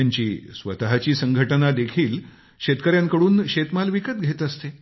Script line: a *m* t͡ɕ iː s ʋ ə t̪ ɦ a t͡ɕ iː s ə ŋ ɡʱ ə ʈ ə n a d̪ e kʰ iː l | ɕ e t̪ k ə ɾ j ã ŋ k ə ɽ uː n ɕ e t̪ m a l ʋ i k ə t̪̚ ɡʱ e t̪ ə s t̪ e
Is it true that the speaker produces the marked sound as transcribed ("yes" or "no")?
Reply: no